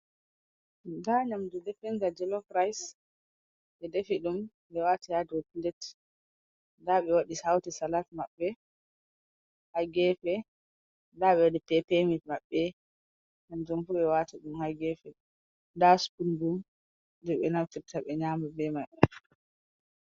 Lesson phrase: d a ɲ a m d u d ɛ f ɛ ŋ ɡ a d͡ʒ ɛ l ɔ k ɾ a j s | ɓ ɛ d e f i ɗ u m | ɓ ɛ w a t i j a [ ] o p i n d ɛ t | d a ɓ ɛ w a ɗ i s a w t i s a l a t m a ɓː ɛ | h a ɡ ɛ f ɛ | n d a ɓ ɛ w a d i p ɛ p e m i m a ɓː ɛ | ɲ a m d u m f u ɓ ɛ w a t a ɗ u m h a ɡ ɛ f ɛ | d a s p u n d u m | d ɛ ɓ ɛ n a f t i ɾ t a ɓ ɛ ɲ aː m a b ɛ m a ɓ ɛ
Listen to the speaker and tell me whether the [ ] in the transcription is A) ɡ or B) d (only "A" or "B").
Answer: B